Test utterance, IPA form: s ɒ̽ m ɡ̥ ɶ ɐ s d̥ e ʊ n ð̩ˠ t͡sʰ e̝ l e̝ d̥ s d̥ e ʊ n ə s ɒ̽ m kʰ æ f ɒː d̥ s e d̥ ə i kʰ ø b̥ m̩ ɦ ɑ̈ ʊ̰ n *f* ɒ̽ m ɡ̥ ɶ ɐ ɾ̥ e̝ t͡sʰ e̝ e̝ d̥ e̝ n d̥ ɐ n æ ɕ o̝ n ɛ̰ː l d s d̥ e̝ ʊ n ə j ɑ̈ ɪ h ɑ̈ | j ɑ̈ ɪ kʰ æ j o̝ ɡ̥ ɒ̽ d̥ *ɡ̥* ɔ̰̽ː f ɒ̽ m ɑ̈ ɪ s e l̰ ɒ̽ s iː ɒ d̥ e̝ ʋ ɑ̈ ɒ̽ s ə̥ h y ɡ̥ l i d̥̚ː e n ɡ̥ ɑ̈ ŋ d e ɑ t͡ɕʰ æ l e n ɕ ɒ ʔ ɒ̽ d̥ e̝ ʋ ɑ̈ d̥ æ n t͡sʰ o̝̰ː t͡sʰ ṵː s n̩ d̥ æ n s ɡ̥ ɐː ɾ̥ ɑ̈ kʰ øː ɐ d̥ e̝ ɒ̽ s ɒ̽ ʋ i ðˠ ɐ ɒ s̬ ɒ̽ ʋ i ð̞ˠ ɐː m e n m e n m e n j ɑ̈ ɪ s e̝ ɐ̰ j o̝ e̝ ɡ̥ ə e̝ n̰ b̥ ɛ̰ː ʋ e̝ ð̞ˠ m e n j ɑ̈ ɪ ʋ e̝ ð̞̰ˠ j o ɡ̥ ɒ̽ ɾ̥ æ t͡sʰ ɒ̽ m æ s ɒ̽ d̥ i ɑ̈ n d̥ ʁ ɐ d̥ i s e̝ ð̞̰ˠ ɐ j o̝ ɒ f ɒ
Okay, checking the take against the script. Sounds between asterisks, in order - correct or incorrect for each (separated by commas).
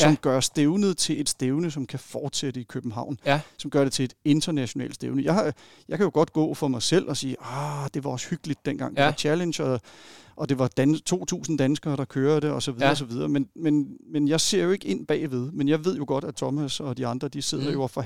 incorrect, correct